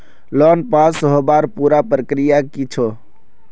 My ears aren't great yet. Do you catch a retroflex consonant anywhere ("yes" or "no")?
no